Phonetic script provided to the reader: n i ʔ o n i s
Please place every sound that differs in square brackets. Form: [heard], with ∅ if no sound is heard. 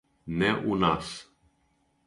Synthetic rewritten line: n [ɛ] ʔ [u] n [a] s